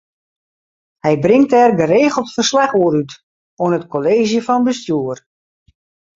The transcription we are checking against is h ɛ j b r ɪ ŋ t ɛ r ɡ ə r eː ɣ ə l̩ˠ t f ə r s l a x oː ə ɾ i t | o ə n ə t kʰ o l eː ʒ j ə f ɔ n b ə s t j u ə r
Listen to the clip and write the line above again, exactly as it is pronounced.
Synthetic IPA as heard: h ɛ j b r ɪ ŋ t ɛ r ɡ ə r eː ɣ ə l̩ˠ t f ə r s l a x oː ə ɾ y t | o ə n ə t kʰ o l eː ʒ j ə f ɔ n b ə s t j u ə r